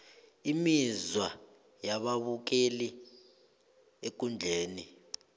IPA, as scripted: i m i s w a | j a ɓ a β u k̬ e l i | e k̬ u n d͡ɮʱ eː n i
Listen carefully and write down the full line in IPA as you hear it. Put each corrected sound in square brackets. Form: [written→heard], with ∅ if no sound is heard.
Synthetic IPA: i m i [s→z] w a | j a ɓ a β u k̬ e l i | e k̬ u n d͡ɮʱ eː n i